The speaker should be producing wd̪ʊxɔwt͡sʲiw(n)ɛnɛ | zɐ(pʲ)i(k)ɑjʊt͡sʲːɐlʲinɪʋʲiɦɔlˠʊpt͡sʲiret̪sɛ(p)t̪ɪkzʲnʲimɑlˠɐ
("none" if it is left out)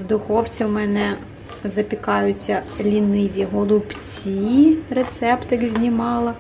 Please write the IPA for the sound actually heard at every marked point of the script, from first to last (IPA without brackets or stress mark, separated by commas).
m, pʲ, k, p